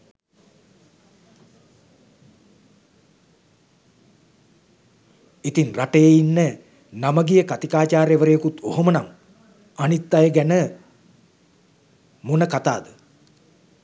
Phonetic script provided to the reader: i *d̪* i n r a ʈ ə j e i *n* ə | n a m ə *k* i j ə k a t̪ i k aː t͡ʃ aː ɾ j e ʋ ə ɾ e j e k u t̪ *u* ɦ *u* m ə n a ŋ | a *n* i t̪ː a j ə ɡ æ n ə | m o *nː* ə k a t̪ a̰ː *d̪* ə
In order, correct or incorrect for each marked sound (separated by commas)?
incorrect, incorrect, incorrect, incorrect, incorrect, correct, incorrect, correct